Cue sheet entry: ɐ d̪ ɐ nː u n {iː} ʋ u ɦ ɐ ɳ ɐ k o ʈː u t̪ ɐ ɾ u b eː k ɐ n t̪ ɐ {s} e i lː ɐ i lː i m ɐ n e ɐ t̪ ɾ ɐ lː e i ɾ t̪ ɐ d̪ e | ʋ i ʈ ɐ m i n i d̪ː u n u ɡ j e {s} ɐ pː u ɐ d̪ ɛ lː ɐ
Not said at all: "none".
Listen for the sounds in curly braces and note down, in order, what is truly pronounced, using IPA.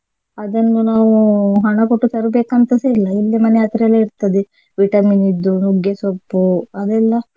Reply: aː, s, s

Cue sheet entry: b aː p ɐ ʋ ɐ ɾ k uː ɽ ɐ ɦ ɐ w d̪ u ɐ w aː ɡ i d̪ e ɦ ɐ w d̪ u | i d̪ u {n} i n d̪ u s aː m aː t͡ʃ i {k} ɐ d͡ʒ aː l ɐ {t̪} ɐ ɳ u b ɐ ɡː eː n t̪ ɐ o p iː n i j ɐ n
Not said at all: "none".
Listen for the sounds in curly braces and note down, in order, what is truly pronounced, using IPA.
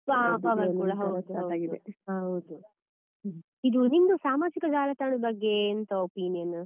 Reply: n, k, t̪

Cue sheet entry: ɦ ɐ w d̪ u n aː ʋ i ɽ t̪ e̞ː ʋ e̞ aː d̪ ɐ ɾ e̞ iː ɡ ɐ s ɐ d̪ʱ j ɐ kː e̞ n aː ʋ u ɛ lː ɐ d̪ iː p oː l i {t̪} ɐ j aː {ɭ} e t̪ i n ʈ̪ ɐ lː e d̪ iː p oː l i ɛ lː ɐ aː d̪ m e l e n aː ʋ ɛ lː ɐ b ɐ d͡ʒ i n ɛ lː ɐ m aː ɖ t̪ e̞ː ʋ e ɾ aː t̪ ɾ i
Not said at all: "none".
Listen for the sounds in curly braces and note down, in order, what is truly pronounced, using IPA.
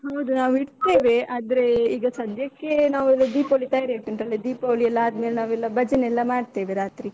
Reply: t̪, ɾ

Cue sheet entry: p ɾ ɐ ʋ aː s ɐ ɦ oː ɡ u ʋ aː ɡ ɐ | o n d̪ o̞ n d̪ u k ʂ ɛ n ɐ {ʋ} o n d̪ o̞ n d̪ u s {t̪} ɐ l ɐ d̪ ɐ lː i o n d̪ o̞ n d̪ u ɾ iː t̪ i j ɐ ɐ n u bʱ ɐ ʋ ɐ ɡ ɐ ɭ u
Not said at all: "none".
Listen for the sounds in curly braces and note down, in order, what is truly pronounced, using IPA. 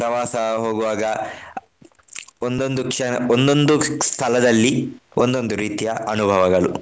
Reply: none, t̪ʰ

